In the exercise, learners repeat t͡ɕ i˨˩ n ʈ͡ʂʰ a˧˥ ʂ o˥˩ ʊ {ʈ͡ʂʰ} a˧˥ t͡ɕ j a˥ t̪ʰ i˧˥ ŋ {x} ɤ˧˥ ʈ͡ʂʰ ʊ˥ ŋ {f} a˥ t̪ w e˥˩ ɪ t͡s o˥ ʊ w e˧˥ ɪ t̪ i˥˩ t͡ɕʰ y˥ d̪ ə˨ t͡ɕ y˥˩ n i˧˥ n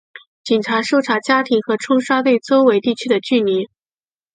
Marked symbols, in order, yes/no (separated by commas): yes, yes, no